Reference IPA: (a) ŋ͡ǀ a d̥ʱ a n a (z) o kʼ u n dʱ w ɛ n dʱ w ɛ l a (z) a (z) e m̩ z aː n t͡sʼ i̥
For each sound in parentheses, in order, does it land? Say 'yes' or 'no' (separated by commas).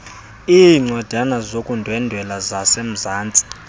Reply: no, yes, yes, no